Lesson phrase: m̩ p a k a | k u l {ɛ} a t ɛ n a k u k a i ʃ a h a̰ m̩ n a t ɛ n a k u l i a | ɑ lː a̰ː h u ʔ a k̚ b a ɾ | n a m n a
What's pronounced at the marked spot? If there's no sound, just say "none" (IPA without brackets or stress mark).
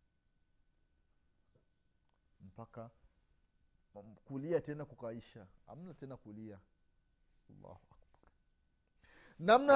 i